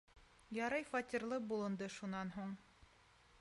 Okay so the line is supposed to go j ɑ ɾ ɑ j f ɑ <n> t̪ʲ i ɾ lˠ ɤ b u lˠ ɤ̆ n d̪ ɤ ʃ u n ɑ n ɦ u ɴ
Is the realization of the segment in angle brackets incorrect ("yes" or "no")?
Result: yes